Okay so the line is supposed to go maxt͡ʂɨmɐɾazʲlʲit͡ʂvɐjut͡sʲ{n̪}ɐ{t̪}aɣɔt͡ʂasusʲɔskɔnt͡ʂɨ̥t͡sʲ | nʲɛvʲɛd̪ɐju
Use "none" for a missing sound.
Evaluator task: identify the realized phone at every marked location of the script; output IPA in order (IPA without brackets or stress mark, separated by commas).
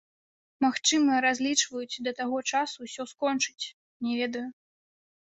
d̪, t̪